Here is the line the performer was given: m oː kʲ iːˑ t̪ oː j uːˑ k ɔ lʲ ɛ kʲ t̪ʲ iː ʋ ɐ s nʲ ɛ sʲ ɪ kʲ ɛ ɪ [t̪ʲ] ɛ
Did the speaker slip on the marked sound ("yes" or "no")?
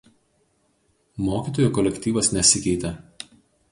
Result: no